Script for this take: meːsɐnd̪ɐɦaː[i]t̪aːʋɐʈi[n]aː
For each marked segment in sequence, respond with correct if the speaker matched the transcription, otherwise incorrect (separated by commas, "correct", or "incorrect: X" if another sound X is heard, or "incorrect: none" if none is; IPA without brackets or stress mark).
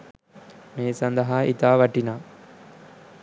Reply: correct, correct